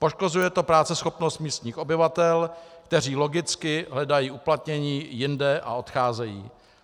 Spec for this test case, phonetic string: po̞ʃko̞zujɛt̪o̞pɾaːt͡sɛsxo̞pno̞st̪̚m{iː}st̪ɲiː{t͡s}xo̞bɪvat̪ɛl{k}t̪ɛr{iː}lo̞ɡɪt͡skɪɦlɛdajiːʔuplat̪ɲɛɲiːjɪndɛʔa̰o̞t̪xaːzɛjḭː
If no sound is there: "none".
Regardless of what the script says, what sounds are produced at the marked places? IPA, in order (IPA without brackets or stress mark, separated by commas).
iː, none, k, iː